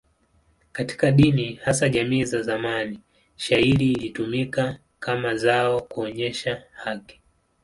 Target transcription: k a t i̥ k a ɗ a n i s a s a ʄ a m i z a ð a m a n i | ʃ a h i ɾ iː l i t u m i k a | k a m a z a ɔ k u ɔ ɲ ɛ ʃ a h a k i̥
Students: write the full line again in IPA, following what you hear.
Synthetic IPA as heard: k a t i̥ k a ɗ i n i h a s a ʄ a m iː z a z a m a n i | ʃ a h i ɾ iː l i t u m i k a | k a m a z a ɔ k u ɔ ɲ ɛ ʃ a h a k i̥